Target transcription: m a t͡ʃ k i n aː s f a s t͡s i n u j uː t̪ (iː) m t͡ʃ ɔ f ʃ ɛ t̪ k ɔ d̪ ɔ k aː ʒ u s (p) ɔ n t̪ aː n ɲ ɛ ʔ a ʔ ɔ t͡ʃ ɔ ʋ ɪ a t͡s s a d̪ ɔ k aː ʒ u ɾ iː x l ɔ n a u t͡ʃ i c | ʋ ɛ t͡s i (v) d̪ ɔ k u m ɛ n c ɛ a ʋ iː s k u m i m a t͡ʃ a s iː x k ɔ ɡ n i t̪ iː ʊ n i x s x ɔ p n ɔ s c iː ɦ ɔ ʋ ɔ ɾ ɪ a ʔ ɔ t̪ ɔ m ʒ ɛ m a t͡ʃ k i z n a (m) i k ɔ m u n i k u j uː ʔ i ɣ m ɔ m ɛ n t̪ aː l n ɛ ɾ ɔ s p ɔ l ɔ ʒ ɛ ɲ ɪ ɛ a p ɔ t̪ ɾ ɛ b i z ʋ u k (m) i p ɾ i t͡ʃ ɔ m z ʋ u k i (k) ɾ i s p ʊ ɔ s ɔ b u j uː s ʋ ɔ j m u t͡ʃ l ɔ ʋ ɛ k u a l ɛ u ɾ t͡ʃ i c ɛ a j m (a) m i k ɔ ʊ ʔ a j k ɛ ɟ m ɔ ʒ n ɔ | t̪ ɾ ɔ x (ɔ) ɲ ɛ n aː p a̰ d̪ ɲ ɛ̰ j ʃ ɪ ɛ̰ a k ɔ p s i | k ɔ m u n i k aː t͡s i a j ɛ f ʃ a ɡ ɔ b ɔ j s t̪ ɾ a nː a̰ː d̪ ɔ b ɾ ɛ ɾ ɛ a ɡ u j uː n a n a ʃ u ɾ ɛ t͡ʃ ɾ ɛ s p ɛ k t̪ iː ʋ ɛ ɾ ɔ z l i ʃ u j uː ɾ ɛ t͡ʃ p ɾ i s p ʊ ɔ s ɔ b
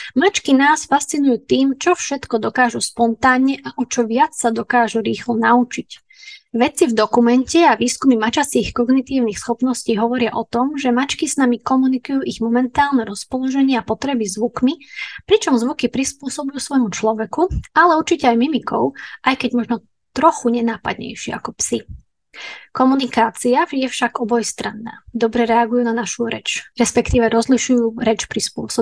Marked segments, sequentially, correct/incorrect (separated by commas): correct, correct, correct, correct, correct, incorrect, incorrect, incorrect